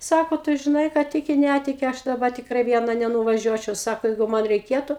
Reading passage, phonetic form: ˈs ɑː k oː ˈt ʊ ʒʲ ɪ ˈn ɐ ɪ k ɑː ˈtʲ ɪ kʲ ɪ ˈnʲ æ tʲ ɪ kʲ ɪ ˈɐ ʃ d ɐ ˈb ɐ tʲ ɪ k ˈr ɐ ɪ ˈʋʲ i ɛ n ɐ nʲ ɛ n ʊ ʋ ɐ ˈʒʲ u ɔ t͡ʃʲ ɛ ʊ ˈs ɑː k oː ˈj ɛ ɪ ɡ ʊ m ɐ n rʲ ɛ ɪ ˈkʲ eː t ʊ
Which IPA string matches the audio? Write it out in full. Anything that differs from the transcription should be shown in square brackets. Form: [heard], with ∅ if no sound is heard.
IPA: ˈs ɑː k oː ˈt ʊ ʒʲ ɪ ˈn ɐ ɪ k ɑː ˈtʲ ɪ kʲ ɪ ˈnʲ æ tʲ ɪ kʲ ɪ ˈɐ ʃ d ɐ ˈb ɐ tʲ ɪ k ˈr ɐ ɪ ˈʋʲ i ɛ n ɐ nʲ ɛ n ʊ ʋ ɐ ˈʒʲ u ɔ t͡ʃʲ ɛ ʊ ˈs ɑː k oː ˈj ɛ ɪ ɡ ʊ m ɐ n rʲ ɛ ɪ ˈkʲ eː t ʊ

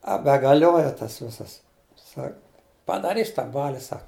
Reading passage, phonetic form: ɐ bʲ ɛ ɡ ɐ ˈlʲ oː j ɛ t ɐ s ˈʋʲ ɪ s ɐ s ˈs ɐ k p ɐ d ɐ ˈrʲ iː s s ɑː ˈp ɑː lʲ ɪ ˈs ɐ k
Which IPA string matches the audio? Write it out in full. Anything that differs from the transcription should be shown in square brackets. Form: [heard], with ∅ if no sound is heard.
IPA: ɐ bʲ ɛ ɡ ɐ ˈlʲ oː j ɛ t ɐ s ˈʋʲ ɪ s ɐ s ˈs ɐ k p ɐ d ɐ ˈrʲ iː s [t] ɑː [ˈb] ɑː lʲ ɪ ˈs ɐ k

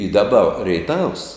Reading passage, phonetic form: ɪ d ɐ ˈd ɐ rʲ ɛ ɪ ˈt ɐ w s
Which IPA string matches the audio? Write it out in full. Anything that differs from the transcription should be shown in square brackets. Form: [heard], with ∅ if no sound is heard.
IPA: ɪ d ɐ [ˈb] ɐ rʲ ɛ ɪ ˈt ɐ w s

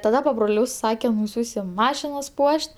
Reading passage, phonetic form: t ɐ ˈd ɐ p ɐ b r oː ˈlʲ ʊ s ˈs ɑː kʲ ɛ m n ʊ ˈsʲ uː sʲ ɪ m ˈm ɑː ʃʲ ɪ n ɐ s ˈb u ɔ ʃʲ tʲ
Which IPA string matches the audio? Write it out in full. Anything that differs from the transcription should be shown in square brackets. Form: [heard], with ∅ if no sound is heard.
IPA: t ɐ ˈd ɐ p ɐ b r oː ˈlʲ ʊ s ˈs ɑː kʲ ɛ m n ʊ ˈsʲ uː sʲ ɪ m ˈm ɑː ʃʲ ɪ n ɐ s [ˈp] u ɔ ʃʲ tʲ

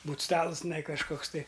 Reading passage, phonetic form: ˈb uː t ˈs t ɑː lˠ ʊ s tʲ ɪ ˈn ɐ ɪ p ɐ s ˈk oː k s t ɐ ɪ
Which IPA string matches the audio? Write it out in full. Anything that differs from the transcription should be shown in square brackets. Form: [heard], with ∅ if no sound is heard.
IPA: ˈb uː t ˈs t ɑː lˠ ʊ s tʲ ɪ ˈn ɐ ɪ [k] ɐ [ʃ] ˈk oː k s t ɐ ɪ

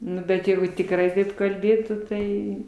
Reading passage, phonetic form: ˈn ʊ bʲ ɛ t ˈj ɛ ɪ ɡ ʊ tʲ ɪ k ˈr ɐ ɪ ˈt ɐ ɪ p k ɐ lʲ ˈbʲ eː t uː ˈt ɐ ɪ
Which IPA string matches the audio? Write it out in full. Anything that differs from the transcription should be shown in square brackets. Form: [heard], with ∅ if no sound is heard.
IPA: ˈn ʊ bʲ ɛ t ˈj ɛ ɪ ɡ ʊ tʲ ɪ k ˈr ɐ ɪ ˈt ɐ ɪ p k ɐ lʲ ˈbʲ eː t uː ˈt ɐ ɪ

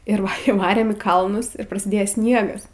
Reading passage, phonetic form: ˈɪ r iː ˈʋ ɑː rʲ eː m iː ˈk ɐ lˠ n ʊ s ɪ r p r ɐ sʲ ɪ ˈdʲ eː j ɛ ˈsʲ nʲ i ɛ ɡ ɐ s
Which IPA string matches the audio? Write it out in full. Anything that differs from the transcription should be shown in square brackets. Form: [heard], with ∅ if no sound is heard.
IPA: ˈɪ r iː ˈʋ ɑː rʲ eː m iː ˈk ɐ lˠ n ʊ s ɪ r p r ɐ sʲ ɪ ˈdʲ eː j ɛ ˈsʲ nʲ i ɛ ɡ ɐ s

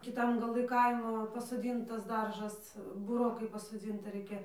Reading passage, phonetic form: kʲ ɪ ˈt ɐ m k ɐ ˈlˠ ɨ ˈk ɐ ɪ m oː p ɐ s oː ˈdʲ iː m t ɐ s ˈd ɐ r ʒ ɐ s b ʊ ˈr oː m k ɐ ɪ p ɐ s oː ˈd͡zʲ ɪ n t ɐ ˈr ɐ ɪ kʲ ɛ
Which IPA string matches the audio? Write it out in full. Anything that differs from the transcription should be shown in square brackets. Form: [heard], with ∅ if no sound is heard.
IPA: kʲ ɪ ˈt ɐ m [ɡ] ɐ ˈlˠ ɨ ˈk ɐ ɪ m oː p ɐ s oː ˈdʲ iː [n] t ɐ s ˈd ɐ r ʒ ɐ s b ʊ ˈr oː [∅] k ɐ ɪ p ɐ s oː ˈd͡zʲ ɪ n t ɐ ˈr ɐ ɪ kʲ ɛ

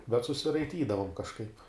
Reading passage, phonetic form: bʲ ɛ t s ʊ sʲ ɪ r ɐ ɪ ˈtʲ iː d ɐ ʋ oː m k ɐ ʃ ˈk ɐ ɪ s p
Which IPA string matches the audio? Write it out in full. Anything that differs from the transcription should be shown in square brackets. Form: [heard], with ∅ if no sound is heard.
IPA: bʲ ɛ t s ʊ sʲ ɪ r ɐ ɪ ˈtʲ iː d ɐ ʋ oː m k ɐ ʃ ˈk ɐ ɪ [∅] p

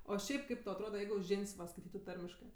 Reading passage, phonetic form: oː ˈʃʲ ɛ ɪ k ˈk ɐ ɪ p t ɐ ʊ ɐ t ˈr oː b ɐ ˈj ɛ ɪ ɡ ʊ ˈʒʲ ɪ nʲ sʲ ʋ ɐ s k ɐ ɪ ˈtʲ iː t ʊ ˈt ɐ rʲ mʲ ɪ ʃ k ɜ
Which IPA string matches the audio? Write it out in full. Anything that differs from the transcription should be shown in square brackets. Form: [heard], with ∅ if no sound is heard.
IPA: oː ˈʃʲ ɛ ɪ [p] ˈk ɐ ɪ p t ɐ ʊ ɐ t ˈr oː [d] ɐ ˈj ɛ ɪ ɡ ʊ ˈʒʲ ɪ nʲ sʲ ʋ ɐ s k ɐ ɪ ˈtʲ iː t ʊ ˈt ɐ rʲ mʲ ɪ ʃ k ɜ

